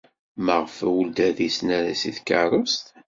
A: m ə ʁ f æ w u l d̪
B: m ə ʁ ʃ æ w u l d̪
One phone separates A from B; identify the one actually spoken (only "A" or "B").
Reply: A